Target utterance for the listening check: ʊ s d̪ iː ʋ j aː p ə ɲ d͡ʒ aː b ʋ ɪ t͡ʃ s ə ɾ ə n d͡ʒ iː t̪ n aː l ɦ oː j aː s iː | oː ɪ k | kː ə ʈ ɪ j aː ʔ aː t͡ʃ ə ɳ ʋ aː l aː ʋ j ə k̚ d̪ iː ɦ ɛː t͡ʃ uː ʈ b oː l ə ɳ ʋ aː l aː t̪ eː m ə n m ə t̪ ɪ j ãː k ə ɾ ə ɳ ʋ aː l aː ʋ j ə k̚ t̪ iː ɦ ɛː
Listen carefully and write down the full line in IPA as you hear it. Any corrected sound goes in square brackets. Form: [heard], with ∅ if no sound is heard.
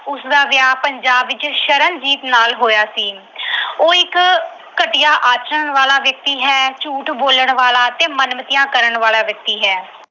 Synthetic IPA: ʊ s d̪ [aː] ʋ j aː p ə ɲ d͡ʒ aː b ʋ ɪ t͡ʃ [ʃ] ə ɾ ə n d͡ʒ iː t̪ n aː l ɦ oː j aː s iː | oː ɪ k | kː ə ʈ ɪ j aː ʔ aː t͡ʃ ə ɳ ʋ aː l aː ʋ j ə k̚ [t̪] iː ɦ ɛː t͡ʃ uː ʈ b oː l ə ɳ ʋ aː l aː t̪ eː m ə n m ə t̪ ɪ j ãː k ə ɾ ə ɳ ʋ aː l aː ʋ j ə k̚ t̪ iː ɦ ɛː